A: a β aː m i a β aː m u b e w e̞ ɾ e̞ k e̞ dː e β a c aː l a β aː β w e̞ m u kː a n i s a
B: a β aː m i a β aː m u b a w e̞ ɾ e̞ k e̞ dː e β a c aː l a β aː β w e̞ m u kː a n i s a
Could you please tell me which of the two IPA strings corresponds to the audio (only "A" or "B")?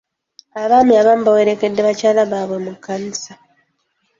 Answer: B